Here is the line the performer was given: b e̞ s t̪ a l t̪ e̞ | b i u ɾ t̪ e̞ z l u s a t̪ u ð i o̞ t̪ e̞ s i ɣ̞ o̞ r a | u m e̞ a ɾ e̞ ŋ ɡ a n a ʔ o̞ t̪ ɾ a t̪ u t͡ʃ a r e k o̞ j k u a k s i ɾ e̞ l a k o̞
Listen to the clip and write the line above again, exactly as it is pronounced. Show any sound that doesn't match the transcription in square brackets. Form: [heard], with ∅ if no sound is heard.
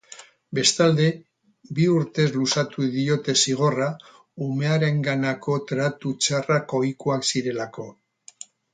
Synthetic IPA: b e̞ s t̪ a l [d̪] e̞ | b i u ɾ t̪ e̞ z l u s a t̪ u ð i o̞ t̪ e̞ s i ɣ̞ o̞ r a | u m e̞ a ɾ e̞ ŋ ɡ a n a [k] o̞ t̪ ɾ a t̪ u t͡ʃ a r [a] k o̞ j k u a k s i ɾ e̞ l a k o̞